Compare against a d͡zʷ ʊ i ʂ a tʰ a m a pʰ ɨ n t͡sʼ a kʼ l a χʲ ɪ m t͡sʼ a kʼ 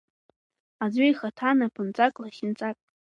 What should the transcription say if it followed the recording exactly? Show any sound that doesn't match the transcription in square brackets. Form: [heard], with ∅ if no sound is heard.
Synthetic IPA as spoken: a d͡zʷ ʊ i [χ] a tʰ a [n] a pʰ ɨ n t͡sʼ a kʼ l a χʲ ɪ [n] t͡sʼ a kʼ